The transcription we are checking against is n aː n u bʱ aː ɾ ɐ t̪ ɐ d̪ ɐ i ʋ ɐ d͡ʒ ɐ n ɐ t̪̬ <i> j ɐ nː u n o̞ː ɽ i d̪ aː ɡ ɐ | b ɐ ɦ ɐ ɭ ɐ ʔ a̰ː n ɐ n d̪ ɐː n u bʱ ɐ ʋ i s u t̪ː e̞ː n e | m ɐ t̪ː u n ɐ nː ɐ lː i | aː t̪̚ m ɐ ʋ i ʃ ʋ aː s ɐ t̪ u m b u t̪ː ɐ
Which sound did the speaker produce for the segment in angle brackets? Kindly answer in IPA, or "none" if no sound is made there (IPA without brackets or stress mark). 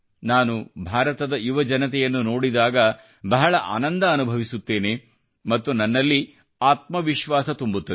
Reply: ɛ